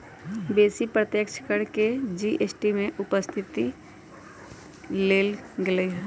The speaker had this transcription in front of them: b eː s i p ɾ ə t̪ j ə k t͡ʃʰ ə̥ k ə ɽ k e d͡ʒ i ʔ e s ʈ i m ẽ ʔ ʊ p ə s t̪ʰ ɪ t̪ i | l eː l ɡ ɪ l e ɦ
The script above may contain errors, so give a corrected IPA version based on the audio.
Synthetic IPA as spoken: b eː s i p ɾ ə t̪ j ə k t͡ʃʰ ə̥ k ə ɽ k e d͡ʒ i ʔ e s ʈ i m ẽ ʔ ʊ p ə s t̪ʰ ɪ t̪ i | l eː l ɡ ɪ l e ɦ